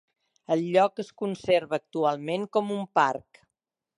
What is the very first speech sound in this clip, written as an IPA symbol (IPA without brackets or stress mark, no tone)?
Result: ə